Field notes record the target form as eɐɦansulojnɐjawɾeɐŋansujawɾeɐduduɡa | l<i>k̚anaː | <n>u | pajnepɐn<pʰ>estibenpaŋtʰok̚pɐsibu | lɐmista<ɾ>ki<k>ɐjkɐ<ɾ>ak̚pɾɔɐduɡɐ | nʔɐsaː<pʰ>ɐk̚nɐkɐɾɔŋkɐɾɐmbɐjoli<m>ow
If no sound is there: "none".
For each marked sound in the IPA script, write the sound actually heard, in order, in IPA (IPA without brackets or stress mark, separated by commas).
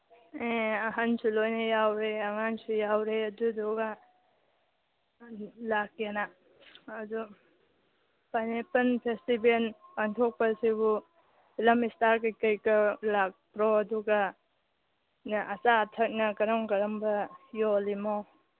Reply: a, d, pʰ, ɾ, k, l, tʰ, m